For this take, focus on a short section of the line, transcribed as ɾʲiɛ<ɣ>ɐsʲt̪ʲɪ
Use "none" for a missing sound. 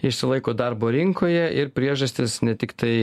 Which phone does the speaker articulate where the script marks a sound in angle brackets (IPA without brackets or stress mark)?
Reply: ʒ